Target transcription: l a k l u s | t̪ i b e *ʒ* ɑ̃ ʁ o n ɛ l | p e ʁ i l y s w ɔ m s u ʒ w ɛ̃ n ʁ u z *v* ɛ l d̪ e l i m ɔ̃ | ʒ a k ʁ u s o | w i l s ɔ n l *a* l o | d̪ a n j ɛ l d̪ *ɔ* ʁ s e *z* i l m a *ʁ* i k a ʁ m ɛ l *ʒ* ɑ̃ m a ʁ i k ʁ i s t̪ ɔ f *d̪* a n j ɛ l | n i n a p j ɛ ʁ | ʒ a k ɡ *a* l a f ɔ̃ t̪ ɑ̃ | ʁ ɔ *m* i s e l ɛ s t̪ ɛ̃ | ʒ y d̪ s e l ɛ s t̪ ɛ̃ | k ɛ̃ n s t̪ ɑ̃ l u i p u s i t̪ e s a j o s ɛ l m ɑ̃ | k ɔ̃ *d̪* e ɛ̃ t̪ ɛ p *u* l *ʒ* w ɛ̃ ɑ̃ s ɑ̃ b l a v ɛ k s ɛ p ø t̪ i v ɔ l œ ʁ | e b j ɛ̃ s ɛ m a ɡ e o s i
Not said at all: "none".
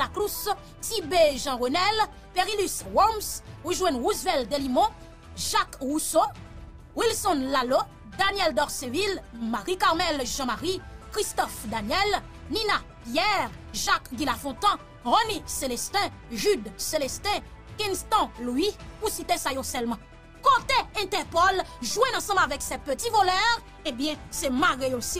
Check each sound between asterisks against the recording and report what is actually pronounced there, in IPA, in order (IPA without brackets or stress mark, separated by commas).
ʒ, v, a, ɔ, v, ʁ, ʒ, d̪, i, n, t̪, ɔ, ʒ